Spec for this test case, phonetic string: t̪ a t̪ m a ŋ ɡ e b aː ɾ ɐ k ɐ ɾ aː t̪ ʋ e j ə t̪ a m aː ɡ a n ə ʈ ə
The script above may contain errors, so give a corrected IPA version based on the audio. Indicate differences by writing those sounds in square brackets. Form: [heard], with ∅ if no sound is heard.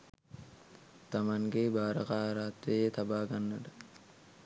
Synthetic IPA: t̪ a [∅] m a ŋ ɡ e b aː ɾ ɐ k [a] ɾ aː t̪ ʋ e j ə t̪ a [b] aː ɡ a [nː] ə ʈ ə